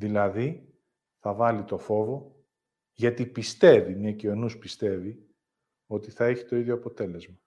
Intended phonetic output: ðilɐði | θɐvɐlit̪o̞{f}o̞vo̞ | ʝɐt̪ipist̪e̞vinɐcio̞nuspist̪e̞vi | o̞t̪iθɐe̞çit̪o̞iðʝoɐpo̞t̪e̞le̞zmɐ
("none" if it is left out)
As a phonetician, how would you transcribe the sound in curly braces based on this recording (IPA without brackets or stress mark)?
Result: f